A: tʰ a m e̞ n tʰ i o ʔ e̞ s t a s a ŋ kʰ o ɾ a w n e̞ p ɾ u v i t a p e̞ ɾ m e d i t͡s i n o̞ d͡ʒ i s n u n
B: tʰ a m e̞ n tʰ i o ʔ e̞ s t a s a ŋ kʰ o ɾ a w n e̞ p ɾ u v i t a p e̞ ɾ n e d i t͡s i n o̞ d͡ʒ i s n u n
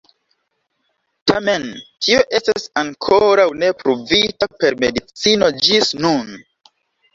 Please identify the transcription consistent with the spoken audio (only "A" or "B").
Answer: A